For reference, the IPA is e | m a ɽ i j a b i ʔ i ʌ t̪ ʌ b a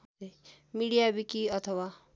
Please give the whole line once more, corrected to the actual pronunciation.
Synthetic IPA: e | m i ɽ i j a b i k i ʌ t̪ʰ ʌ w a